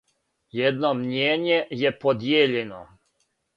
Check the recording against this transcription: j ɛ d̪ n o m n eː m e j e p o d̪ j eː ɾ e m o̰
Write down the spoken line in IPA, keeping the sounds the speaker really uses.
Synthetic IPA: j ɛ d̪ n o m ɲ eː ɲ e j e p o d̪ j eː ʎ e n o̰